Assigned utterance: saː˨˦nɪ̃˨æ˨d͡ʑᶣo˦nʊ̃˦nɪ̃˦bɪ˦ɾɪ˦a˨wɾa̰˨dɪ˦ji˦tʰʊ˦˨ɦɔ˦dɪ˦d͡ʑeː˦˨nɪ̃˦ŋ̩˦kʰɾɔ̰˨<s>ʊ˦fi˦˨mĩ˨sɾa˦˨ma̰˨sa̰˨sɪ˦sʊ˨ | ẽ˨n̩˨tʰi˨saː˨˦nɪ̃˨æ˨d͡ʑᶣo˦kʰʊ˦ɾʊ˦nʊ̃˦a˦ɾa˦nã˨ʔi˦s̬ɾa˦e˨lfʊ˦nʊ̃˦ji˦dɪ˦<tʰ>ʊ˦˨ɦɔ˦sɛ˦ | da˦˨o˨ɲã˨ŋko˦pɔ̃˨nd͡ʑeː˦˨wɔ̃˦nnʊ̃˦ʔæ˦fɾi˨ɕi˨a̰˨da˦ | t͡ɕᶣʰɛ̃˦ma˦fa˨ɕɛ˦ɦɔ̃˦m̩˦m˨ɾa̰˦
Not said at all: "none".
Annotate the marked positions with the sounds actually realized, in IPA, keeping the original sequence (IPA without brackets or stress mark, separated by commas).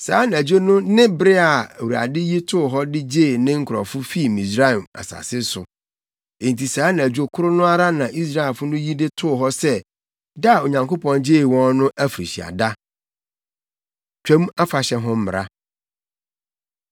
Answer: f, tʰ